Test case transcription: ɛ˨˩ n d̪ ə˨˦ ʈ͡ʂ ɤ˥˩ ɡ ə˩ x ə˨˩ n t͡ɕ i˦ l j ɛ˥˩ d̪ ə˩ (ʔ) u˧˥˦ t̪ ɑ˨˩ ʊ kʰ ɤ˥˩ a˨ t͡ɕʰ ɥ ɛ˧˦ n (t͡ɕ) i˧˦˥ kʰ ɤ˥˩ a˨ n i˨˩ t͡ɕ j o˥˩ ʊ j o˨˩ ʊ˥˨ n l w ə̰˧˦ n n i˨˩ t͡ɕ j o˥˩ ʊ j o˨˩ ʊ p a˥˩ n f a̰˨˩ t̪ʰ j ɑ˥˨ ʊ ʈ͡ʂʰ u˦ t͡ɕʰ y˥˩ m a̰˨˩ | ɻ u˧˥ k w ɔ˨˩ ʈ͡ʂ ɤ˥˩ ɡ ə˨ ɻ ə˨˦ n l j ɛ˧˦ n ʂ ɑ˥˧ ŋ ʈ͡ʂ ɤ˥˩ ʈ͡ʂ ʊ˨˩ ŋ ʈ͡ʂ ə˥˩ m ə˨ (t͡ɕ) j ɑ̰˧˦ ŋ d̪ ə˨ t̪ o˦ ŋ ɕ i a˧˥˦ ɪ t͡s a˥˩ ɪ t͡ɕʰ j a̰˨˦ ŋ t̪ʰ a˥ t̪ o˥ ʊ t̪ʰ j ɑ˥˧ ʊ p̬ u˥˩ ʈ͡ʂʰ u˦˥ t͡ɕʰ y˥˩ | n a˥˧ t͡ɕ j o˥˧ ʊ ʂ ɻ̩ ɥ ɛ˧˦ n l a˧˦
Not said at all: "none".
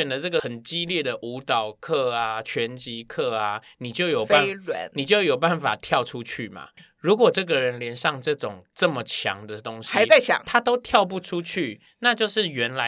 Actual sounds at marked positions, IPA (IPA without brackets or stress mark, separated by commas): ʔ, t͡ɕ, t͡ɕʰ